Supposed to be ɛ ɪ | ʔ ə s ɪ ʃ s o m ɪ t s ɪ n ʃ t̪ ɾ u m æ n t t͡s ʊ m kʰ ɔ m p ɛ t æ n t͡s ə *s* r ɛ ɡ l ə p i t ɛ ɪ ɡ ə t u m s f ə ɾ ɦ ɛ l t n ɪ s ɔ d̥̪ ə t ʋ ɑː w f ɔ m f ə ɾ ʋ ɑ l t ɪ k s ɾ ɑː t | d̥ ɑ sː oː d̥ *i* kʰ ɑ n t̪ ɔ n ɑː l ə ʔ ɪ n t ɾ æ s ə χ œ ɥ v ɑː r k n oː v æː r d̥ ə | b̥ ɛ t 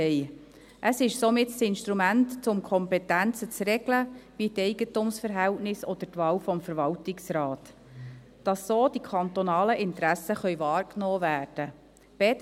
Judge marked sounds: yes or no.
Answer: no, yes

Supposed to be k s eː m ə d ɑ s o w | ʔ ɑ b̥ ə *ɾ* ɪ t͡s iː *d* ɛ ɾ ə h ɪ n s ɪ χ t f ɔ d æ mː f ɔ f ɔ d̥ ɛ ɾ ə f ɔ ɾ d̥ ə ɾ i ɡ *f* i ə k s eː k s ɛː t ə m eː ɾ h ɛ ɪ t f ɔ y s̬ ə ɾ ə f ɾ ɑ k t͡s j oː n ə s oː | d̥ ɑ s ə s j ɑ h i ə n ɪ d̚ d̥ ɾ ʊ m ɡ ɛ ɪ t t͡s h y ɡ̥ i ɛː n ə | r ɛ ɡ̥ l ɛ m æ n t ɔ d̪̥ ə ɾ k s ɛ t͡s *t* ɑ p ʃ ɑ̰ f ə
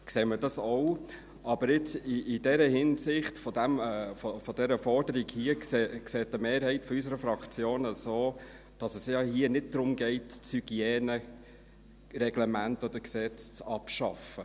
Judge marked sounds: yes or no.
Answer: yes, yes, no, no

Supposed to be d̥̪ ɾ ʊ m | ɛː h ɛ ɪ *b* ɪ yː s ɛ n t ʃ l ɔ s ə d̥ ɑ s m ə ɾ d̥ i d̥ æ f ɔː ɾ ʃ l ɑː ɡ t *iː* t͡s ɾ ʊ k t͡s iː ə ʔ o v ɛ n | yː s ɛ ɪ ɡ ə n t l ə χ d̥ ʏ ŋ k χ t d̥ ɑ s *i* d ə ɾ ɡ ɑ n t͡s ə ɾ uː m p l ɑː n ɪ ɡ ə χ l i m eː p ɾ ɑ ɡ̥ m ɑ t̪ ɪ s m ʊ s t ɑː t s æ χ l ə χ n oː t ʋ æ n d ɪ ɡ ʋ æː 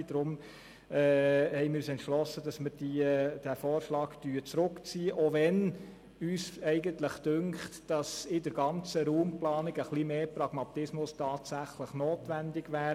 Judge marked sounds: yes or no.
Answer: no, no, no

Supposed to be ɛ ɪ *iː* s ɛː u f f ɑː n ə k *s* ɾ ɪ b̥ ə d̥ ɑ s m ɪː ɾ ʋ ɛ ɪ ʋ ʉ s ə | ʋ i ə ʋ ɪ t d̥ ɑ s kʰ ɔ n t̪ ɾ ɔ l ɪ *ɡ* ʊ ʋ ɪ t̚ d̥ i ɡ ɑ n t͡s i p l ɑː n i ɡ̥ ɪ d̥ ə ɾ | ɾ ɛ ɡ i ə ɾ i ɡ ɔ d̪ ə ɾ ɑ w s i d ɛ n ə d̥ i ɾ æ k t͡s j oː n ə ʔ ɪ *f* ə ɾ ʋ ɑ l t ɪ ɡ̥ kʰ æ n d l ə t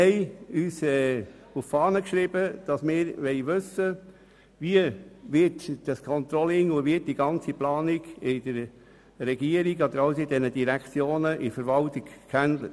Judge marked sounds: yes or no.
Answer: no, no, no, yes

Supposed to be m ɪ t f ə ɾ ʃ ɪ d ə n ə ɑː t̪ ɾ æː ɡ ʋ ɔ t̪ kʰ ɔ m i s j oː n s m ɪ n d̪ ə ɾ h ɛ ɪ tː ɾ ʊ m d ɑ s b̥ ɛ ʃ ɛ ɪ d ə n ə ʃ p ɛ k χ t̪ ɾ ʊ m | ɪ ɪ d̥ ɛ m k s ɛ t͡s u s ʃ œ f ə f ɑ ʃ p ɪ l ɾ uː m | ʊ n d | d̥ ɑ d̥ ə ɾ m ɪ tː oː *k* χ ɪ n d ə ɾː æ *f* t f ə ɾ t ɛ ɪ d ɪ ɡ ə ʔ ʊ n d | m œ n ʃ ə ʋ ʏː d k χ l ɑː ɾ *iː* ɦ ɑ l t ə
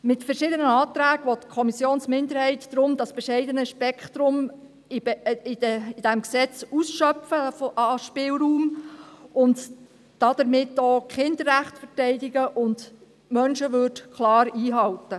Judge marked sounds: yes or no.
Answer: yes, no, yes

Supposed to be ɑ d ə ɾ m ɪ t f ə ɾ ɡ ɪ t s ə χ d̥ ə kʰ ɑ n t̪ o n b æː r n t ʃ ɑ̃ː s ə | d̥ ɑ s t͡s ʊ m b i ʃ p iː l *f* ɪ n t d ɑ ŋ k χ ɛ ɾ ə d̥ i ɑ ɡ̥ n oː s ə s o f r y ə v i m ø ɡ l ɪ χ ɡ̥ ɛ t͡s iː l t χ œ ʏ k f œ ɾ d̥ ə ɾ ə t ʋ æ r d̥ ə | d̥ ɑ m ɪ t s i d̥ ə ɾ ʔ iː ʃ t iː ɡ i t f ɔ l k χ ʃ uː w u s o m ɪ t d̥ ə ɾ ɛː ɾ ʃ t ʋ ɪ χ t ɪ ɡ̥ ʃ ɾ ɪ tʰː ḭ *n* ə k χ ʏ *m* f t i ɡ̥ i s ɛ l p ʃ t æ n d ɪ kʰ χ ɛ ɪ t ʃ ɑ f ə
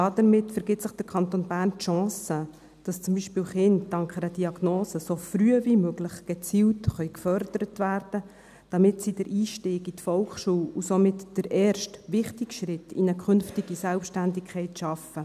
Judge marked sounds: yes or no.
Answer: no, yes, no

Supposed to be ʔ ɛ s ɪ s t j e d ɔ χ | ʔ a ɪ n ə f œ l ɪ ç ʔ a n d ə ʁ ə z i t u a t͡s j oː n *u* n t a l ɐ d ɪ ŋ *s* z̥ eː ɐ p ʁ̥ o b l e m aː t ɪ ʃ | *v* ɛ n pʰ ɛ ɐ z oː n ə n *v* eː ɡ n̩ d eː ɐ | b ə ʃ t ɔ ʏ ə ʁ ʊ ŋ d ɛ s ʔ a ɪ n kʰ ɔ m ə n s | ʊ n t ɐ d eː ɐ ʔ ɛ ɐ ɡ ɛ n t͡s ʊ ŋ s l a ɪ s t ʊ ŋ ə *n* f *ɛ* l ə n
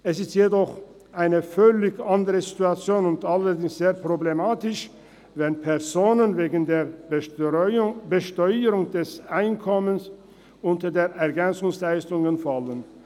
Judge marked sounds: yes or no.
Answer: no, yes, yes, yes, yes, no

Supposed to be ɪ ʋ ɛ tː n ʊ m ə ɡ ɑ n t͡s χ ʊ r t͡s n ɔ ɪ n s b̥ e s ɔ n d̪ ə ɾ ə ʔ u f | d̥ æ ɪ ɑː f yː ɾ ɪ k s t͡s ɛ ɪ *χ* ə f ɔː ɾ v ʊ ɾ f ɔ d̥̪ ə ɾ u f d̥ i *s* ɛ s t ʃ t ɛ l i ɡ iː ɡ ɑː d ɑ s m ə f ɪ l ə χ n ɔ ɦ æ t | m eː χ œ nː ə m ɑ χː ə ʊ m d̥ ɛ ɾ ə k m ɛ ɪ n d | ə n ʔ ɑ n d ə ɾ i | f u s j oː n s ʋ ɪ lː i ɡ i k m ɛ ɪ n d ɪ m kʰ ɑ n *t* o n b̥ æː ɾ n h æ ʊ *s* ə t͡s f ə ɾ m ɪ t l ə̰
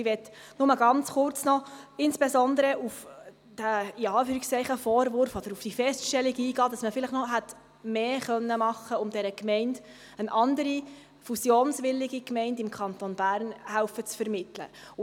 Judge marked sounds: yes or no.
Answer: yes, no, yes, no

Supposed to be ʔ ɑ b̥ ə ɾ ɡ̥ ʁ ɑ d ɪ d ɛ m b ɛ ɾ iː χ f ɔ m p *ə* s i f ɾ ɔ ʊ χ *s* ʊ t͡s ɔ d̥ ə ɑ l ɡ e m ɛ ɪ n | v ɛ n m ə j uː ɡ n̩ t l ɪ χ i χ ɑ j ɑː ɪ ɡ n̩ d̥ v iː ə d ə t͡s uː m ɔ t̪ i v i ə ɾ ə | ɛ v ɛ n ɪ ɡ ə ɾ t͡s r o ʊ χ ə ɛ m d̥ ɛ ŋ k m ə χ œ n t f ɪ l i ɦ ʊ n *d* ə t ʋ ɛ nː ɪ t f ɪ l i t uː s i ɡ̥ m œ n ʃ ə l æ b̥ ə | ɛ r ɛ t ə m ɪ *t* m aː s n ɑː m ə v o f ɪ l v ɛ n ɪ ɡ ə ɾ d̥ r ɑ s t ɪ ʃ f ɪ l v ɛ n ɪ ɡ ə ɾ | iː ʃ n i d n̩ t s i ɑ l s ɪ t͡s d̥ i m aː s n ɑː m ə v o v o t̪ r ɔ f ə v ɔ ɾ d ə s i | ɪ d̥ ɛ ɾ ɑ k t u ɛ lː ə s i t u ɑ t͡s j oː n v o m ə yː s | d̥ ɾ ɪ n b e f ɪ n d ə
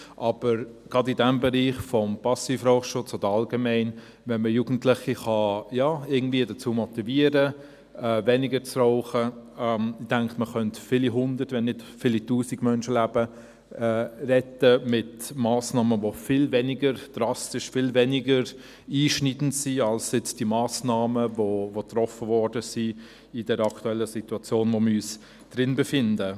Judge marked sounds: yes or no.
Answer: no, no, yes, yes

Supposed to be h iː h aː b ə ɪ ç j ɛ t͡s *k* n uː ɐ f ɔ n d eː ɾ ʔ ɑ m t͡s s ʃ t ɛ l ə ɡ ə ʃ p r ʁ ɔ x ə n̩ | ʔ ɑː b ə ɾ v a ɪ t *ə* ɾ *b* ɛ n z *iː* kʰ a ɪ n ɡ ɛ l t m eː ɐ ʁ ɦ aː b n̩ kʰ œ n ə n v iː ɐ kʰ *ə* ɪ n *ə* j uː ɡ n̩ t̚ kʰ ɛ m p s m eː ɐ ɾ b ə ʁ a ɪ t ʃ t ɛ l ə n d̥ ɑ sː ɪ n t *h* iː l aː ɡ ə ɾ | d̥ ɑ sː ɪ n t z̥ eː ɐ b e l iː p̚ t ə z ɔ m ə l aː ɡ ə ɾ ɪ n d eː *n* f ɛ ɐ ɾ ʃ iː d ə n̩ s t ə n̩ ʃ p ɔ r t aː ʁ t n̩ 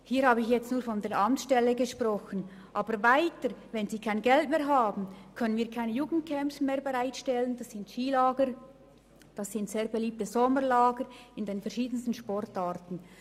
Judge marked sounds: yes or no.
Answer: no, yes, no, yes, no, yes, no, yes

